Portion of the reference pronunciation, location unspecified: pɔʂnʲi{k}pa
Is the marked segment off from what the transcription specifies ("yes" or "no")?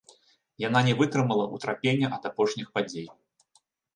yes